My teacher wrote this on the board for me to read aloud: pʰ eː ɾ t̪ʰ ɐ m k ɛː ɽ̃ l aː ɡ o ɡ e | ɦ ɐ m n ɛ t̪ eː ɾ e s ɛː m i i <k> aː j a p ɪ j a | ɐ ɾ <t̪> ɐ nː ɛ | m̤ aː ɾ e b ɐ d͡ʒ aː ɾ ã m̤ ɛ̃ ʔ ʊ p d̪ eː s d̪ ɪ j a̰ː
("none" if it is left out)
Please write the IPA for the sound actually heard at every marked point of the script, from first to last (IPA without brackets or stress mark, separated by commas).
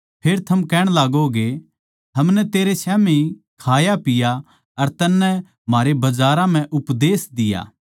kʰ, t̪